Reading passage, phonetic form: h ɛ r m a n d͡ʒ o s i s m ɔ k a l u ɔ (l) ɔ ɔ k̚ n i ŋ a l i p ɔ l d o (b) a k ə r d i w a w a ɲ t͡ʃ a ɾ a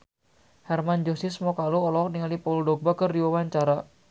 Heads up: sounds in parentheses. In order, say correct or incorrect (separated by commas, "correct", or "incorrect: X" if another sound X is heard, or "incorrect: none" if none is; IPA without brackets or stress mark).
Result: correct, correct